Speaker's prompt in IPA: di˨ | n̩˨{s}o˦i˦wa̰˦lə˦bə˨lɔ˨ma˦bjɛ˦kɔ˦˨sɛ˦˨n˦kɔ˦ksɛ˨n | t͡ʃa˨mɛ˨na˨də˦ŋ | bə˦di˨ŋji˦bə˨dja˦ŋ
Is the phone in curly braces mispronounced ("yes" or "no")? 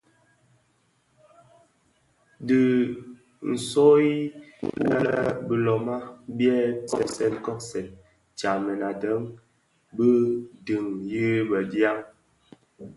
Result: no